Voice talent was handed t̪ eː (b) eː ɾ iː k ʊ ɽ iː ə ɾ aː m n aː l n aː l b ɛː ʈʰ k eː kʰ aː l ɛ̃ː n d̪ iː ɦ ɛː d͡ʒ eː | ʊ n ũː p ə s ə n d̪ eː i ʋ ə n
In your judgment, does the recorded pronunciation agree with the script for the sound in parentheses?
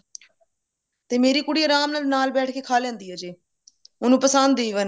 no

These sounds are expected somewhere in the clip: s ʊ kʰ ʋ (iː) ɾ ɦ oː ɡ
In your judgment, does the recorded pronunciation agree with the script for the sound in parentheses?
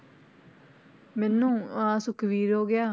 yes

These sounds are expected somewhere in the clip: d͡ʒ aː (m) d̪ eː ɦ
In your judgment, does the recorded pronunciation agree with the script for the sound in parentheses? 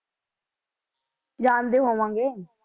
no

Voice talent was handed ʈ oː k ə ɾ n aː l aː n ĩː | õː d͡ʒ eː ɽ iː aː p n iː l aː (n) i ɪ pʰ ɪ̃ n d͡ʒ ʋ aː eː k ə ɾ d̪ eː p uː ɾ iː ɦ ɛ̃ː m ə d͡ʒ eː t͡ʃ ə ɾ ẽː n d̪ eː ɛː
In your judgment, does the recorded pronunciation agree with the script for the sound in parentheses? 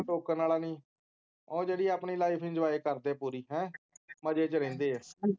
no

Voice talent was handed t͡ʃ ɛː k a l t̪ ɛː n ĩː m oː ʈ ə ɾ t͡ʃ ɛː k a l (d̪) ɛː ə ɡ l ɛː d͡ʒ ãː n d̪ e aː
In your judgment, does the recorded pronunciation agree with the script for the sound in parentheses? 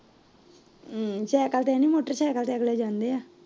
no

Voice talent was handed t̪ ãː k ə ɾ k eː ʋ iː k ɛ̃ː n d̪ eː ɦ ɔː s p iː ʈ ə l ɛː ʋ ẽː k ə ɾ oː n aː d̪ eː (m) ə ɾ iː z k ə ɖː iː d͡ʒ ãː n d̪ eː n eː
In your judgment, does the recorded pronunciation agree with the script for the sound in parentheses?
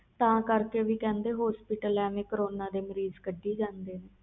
yes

